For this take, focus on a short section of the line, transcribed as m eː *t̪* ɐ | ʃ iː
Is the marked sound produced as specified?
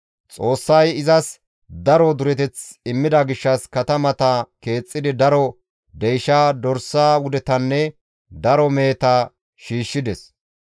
yes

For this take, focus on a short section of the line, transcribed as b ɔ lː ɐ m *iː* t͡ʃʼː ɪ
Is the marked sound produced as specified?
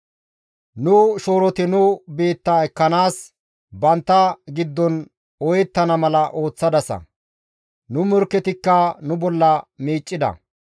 yes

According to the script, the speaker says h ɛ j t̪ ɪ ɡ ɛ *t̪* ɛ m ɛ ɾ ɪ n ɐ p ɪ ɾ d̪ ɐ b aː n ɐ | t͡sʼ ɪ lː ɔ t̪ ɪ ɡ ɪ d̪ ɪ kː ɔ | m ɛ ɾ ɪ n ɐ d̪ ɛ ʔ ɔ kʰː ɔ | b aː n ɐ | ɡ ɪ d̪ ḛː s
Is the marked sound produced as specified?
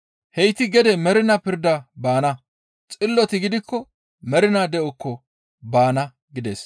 no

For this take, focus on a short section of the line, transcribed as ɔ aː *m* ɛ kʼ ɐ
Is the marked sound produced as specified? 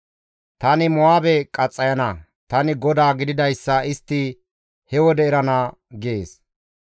no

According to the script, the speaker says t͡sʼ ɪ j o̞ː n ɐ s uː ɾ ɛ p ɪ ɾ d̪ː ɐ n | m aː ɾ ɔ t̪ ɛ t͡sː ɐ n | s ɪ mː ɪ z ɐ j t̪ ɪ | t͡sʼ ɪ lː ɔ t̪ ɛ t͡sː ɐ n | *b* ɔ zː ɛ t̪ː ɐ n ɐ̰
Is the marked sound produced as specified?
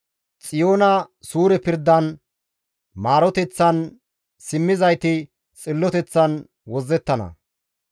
no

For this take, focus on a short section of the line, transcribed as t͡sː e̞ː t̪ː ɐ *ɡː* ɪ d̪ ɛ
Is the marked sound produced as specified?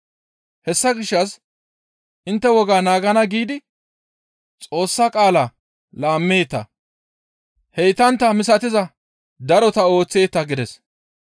no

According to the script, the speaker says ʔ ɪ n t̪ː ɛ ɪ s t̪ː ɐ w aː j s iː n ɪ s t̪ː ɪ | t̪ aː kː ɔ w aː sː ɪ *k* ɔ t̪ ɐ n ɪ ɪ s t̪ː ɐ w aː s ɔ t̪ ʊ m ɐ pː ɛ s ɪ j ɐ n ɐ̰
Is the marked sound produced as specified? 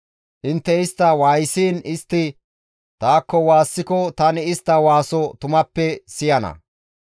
yes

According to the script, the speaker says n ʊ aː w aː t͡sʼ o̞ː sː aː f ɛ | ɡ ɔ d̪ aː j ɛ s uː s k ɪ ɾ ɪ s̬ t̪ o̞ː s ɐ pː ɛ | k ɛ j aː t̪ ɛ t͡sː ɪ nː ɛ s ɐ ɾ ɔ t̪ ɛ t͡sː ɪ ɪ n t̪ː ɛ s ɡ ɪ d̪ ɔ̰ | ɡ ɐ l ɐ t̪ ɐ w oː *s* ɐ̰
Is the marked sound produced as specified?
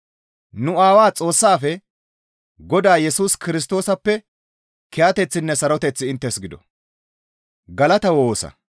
yes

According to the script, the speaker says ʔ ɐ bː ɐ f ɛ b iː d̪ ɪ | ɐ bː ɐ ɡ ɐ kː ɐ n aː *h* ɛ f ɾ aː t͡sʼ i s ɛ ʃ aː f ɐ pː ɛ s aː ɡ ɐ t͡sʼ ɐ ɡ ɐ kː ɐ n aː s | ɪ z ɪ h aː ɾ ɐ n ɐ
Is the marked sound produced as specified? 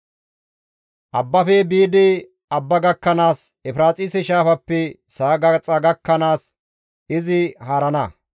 no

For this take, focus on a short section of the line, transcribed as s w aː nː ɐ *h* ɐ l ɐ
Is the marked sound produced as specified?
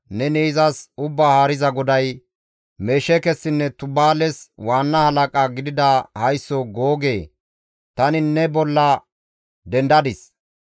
yes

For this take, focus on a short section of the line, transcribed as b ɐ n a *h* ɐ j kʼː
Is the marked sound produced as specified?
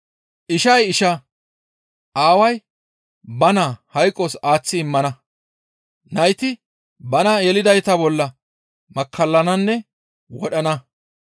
yes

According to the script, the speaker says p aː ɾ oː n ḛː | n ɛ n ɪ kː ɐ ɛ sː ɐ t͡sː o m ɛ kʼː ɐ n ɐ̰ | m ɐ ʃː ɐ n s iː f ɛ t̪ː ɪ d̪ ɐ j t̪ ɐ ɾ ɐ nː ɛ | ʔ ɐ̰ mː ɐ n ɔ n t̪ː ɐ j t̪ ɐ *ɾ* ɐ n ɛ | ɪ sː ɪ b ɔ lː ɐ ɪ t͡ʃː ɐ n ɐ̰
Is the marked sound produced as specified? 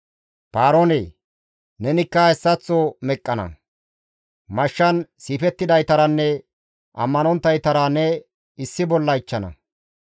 yes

